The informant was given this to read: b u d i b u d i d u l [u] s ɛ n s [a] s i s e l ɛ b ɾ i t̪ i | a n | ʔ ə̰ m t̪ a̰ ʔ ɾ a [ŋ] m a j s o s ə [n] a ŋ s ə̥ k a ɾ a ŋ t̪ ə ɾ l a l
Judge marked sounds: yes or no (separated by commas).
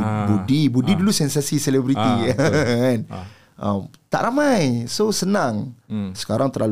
yes, yes, no, yes